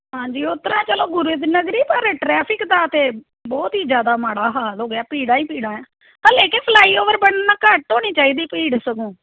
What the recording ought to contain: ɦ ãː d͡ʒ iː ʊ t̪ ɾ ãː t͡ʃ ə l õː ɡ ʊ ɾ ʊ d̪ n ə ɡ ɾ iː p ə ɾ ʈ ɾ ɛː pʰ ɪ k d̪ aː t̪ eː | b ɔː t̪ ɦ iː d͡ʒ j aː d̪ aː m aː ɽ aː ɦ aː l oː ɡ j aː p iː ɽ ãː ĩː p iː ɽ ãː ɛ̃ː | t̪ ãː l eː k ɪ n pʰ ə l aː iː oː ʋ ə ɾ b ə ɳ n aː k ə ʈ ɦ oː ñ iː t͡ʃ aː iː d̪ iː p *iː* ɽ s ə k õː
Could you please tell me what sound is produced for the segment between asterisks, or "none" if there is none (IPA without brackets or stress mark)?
iː